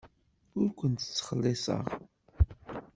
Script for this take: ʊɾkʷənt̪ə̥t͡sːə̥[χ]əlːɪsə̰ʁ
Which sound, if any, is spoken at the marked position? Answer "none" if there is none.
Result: χ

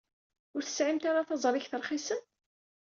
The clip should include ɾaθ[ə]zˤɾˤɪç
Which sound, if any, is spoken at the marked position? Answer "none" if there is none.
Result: ɑ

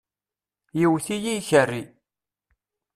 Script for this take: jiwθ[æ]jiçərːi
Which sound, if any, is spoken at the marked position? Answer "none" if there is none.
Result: i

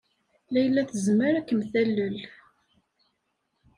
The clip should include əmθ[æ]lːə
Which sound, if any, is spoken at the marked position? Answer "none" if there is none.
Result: æ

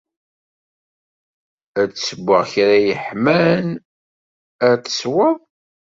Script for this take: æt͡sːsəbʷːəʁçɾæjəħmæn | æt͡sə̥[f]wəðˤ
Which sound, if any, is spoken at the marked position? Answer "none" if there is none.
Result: s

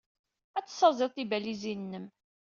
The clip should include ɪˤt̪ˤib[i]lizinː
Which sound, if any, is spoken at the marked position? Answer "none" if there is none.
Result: æ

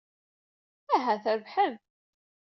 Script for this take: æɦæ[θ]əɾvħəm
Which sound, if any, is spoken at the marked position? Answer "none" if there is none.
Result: θ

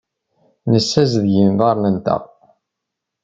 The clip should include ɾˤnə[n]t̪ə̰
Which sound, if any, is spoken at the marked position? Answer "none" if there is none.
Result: n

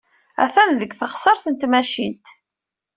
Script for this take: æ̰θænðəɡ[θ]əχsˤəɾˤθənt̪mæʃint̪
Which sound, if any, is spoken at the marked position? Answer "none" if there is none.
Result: θ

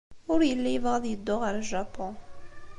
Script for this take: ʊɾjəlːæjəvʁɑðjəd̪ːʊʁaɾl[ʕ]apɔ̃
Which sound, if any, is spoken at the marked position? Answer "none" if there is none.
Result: ʒ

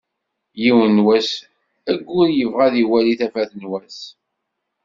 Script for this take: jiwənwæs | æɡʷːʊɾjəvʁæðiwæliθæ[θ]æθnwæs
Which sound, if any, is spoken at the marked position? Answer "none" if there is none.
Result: f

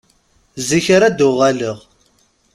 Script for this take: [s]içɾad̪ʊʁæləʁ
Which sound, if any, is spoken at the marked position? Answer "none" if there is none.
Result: z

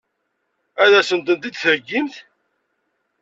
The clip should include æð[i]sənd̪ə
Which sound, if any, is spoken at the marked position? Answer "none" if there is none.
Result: æ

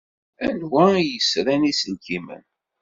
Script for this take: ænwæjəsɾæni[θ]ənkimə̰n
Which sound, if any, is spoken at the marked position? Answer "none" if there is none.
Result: s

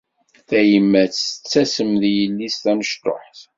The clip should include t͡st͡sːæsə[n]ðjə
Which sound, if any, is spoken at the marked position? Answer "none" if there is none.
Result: m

